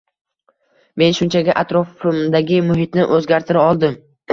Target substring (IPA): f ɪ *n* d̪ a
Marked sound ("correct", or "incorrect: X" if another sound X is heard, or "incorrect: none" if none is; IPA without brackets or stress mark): incorrect: m